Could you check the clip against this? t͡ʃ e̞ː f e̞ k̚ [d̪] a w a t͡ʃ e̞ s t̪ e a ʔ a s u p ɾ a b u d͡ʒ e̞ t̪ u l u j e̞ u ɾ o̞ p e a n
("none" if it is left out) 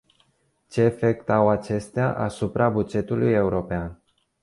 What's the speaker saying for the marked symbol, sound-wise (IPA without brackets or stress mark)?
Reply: t̪